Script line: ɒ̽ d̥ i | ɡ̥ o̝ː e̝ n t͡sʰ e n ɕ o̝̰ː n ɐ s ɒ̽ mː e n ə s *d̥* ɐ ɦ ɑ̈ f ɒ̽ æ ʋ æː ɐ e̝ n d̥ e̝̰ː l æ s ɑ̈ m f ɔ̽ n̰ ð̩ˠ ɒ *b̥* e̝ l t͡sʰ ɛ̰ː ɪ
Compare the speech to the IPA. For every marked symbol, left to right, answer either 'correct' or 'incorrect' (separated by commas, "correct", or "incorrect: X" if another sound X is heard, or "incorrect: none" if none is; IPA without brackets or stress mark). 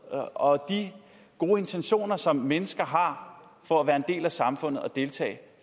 incorrect: ɡ̥, incorrect: d̥